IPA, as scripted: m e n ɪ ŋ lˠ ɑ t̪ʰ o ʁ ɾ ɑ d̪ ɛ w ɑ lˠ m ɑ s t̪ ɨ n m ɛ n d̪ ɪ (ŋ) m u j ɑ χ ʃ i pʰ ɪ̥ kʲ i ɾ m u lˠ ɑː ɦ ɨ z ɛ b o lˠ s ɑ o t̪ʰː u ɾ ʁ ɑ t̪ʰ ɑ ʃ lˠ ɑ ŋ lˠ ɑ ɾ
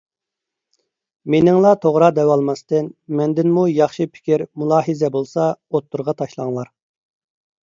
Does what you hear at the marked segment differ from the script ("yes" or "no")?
yes